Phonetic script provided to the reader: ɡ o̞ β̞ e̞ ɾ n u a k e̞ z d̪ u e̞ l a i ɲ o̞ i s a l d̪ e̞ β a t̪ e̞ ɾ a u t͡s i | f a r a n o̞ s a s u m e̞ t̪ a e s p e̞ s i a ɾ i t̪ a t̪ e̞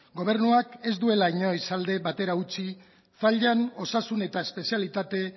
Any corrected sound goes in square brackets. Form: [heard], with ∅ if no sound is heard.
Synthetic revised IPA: ɡ o̞ β̞ e̞ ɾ n u a k e̞ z d̪ u e̞ l a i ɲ o̞ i s a l d̪ e̞ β a t̪ e̞ ɾ a u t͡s i | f a [ʎ] a n o̞ s a s u [n] e̞ t̪ a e s p e̞ s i a [l] i t̪ a t̪ e̞